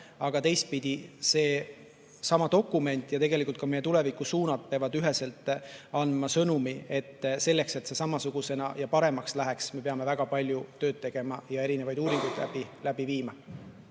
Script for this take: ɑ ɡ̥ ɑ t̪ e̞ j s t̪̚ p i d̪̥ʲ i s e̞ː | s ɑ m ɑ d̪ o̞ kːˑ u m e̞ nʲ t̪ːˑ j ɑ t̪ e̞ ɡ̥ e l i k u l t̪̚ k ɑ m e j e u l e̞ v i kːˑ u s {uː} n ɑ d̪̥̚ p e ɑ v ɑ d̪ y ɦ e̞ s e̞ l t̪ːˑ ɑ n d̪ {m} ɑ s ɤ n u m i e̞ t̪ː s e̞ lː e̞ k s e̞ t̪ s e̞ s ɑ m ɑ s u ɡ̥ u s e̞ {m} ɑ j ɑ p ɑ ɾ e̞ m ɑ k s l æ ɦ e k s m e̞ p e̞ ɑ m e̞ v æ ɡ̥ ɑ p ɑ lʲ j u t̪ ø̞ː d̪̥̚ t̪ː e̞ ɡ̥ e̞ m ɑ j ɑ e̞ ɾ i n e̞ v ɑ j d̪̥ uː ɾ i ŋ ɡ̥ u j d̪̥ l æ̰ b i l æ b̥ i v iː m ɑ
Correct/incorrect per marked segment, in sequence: correct, correct, incorrect: n

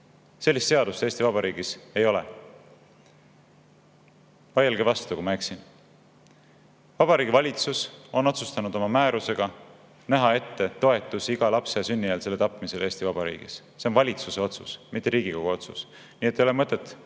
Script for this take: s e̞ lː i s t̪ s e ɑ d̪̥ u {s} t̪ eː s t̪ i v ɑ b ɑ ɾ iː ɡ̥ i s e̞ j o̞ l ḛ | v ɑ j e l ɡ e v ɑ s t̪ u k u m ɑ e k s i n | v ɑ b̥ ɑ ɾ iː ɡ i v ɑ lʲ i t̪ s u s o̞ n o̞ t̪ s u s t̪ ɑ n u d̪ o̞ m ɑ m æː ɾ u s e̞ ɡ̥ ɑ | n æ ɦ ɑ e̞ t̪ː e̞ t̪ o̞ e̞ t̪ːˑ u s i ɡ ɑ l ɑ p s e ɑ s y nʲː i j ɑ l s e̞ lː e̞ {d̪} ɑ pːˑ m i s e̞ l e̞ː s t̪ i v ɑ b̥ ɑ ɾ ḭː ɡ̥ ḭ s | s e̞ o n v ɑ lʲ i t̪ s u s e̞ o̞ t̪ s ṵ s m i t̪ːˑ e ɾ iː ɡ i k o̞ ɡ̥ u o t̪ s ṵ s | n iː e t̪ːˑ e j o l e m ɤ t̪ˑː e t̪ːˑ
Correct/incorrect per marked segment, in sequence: correct, incorrect: t̪

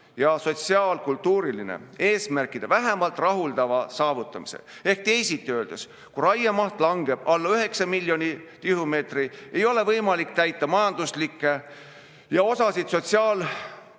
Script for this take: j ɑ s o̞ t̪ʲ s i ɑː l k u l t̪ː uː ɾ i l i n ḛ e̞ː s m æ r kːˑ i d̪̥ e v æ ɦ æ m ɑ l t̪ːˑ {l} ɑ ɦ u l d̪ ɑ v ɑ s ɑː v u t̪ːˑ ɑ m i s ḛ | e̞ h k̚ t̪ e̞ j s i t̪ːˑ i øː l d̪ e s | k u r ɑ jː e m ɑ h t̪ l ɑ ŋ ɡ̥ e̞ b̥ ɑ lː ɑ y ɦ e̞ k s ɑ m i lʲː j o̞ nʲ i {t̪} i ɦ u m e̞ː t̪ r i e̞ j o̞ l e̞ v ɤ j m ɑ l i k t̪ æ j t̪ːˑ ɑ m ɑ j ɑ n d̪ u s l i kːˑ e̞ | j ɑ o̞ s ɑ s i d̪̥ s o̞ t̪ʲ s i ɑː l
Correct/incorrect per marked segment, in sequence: incorrect: r, correct

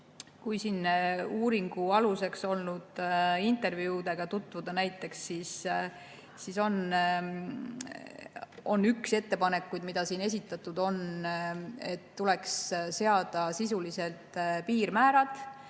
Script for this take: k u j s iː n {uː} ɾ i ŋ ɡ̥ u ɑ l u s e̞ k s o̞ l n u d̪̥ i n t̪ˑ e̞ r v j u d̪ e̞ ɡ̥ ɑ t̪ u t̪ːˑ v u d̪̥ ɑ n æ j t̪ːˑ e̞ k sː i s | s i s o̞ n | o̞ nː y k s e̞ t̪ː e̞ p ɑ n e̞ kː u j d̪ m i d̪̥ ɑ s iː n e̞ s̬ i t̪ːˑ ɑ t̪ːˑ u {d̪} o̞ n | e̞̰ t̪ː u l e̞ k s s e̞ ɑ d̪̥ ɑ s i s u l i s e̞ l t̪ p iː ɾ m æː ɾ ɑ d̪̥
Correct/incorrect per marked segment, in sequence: correct, correct

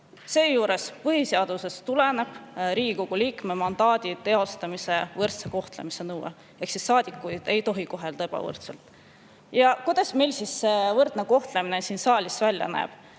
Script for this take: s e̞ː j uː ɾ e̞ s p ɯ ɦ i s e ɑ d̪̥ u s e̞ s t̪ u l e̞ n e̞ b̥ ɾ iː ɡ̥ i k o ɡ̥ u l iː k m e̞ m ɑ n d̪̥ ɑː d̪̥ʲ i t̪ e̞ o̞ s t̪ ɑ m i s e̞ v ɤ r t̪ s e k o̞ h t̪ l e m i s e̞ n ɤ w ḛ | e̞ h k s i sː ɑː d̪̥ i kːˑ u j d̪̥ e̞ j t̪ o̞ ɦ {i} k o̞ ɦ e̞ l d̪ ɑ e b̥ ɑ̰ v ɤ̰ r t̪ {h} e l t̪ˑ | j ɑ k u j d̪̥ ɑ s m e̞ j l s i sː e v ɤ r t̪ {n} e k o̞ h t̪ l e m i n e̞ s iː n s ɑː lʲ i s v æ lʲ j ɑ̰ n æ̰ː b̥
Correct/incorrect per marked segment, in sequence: correct, incorrect: s, correct

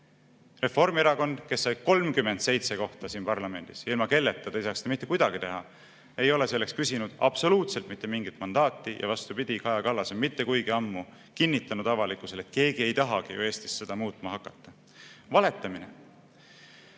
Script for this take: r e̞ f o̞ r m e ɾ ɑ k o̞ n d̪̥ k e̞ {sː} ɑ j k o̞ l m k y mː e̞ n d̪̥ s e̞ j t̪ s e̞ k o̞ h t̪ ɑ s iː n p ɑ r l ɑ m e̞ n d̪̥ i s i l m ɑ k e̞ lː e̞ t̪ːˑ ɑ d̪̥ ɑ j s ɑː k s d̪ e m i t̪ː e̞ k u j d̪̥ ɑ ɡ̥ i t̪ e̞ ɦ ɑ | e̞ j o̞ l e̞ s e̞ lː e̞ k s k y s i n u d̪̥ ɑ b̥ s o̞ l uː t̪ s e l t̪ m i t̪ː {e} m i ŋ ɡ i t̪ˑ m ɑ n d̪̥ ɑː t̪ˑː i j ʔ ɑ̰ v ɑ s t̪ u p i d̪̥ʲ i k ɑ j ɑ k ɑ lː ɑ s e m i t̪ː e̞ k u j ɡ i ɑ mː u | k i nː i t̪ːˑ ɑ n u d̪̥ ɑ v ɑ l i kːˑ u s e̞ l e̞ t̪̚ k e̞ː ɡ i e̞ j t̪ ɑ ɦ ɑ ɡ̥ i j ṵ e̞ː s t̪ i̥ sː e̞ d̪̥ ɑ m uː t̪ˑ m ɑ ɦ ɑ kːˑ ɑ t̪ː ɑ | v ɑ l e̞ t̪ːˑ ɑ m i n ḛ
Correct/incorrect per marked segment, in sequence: correct, correct

